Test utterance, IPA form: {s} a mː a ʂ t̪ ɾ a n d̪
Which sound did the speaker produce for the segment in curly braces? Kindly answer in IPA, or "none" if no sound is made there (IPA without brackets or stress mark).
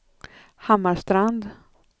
h